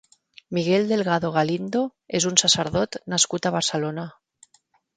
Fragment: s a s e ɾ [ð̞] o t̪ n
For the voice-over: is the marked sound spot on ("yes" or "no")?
yes